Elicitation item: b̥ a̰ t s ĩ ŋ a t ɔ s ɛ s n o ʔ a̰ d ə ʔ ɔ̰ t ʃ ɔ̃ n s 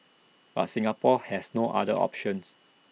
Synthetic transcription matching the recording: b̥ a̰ t s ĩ ŋ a p ɔ h ɛ s n o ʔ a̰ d ə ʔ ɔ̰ p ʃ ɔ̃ n s